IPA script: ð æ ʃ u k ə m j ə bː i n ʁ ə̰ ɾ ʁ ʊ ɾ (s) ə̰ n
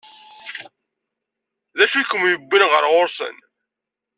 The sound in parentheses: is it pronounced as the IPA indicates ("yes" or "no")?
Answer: yes